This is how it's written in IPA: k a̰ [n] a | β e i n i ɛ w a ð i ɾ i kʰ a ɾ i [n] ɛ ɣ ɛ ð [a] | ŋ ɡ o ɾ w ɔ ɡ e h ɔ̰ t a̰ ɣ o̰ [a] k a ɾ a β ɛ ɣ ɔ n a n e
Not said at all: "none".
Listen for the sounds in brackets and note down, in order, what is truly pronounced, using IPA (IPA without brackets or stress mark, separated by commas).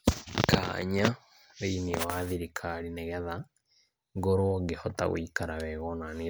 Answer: ɲ, n, a, i